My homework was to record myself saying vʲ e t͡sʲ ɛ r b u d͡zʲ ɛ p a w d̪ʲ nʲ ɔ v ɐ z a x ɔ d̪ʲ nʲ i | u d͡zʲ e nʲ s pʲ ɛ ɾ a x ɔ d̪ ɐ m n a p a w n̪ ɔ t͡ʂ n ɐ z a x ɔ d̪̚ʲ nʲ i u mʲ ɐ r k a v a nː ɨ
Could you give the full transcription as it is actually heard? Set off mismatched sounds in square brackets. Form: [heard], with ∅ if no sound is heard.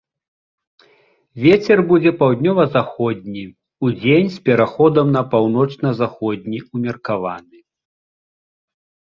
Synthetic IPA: vʲ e t͡sʲ ɛ r b u d͡zʲ ɛ p a w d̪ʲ nʲ ɔ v ɐ z a x ɔ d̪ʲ nʲ i | u d͡zʲ e nʲ s pʲ ɛ ɾ a x ɔ d̪ ɐ m n [ɐ] p a w n̪ ɔ t͡ʂ n ɐ z a x ɔ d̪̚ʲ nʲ i u mʲ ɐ r k a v a [n] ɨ